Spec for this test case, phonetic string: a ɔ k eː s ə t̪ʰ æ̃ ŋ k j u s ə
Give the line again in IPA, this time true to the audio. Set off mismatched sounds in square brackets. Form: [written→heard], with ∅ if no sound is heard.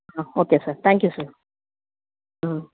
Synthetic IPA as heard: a [ɔ→o] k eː s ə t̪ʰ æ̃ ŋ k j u s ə